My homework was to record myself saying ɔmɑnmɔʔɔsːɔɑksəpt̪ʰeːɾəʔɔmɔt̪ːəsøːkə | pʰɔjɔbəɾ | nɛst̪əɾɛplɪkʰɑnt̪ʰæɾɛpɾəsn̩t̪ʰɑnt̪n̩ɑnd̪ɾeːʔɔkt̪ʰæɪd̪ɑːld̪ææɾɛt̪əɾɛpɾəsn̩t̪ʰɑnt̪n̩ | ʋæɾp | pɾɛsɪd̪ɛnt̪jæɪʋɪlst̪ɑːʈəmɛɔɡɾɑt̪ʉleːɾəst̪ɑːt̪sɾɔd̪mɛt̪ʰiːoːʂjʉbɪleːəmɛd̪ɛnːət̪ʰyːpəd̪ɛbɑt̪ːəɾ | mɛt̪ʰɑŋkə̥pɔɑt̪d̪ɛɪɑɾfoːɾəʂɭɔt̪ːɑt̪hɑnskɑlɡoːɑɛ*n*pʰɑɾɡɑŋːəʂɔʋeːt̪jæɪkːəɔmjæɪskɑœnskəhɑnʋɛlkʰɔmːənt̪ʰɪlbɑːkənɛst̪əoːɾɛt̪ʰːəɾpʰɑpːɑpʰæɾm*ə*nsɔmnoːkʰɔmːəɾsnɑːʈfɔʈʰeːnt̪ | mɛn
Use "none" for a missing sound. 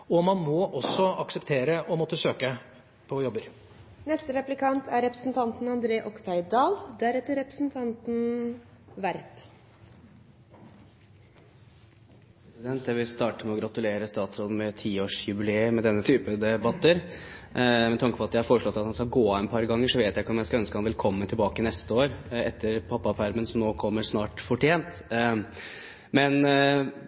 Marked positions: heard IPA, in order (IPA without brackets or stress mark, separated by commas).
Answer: n, ə